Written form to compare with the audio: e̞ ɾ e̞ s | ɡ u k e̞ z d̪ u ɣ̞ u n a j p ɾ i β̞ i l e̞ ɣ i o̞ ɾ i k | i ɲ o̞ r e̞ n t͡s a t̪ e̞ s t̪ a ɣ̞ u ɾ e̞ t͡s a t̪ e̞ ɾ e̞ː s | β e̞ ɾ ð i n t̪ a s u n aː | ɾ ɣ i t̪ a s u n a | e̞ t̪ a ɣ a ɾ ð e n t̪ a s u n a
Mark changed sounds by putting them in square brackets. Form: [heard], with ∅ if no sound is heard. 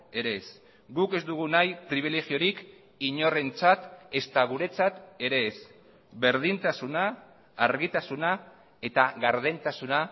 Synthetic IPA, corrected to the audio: e̞ ɾ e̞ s | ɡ u k e̞ z d̪ u ɣ̞ u n a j p ɾ i β̞ i l e̞ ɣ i o̞ ɾ i k | i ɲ o̞ r e̞ n t͡s a t̪ e̞ s t̪ a ɣ̞ u ɾ e̞ t͡s a t̪ e̞ ɾ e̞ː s | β e̞ ɾ ð i n t̪ a s u n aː | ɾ ɣ i t̪ a s u n a | e̞ t̪ a ɣ a ɾ ð e n t̪ a s u n a